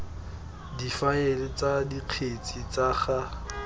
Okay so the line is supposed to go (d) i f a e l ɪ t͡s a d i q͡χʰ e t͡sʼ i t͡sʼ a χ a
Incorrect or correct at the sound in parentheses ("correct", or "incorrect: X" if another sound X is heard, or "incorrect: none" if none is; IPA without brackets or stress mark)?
correct